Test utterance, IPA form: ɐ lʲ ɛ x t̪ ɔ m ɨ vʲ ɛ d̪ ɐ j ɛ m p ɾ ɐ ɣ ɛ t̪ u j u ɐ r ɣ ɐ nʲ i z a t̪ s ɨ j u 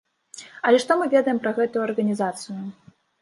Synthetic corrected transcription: ɐ lʲ ɛ ʂ t̪ ɔ m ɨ vʲ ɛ d̪ ɐ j ɛ m p ɾ ɐ ɣ ɛ t̪ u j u ɐ r ɣ ɐ nʲ i z a t̪ s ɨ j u